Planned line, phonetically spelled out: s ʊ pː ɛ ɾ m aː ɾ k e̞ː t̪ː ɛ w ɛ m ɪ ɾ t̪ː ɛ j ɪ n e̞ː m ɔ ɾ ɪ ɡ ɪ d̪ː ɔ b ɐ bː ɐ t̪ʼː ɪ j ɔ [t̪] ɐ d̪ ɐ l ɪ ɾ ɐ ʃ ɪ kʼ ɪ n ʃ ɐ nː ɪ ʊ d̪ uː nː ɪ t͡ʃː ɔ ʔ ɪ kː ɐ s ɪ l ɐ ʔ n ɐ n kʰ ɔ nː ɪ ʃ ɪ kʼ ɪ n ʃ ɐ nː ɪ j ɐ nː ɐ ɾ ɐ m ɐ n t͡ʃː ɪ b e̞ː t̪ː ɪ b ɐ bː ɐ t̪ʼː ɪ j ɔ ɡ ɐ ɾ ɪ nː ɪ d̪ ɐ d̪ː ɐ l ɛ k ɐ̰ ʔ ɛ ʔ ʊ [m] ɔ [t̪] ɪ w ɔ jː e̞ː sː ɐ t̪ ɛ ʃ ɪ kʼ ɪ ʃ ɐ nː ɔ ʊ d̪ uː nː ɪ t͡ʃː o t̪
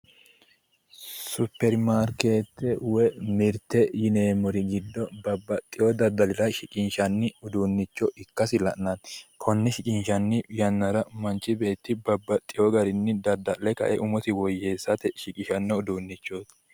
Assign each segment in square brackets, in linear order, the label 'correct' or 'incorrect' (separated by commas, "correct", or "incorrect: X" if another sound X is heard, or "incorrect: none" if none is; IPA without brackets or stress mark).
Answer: incorrect: d̪, correct, correct